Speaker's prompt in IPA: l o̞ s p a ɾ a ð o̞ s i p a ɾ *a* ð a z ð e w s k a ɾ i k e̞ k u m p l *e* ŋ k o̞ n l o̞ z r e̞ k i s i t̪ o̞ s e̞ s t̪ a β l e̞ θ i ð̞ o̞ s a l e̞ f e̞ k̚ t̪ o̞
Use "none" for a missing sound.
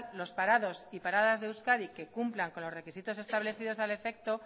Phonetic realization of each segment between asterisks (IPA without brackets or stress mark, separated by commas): a, a